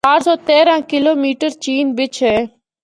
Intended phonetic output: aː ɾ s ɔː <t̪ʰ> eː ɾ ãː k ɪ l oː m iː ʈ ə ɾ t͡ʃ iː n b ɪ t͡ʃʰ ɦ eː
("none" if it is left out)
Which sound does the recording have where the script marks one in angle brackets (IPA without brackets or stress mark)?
t̪